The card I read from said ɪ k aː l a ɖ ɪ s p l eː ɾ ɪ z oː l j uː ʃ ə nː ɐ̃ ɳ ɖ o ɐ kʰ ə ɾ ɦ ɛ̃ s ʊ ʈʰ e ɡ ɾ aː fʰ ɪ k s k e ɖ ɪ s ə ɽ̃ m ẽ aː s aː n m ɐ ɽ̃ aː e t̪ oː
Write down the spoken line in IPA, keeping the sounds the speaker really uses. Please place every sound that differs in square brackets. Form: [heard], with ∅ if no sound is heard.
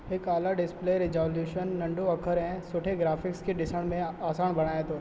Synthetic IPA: ɪ k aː l a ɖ ɪ s p l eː ɾ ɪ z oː l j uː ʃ ə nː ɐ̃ ɳ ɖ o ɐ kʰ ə ɾ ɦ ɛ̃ s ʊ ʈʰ e ɡ ɾ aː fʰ ɪ k s k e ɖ ɪ s ə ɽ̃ m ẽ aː s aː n [b] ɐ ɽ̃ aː e t̪ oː